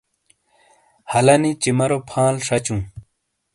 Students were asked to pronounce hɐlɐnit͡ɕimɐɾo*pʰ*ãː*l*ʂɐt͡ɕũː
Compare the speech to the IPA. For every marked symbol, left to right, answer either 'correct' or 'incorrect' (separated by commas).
correct, correct